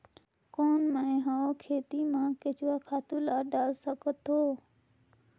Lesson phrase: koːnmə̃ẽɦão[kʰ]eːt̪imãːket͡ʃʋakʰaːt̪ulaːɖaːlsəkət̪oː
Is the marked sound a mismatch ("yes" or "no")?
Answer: no